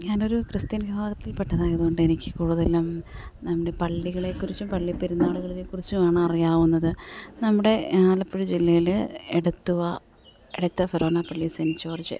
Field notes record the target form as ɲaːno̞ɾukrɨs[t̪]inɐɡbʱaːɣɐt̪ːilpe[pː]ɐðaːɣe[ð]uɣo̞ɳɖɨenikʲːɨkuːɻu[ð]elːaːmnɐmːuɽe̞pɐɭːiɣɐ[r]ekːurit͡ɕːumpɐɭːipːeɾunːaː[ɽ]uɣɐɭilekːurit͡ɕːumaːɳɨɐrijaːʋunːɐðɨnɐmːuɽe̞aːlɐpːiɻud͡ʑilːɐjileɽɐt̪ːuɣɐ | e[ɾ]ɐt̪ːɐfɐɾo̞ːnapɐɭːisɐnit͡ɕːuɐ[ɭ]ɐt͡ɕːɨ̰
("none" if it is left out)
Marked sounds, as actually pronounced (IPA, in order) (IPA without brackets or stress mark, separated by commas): t̪, ʈː, ð, ð, ɭ, ɭ, ɽ, r